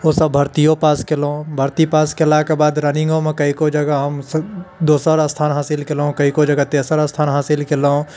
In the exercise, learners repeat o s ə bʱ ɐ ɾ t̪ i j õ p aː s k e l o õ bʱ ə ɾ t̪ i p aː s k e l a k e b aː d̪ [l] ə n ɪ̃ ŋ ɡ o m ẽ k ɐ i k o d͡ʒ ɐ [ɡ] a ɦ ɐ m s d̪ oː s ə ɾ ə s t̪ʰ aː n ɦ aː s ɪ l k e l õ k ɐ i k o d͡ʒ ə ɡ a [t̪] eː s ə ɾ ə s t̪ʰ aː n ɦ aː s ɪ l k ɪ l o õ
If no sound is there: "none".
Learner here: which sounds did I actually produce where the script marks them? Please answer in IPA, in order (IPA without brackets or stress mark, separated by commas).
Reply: ɾ, ɡ, t̪